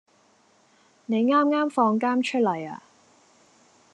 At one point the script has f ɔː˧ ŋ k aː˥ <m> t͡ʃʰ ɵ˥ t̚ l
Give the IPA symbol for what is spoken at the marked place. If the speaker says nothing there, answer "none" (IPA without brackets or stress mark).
m